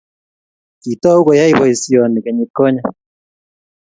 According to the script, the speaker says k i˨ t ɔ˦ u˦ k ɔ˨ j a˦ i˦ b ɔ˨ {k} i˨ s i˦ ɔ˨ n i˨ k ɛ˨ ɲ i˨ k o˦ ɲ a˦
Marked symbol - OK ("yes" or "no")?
no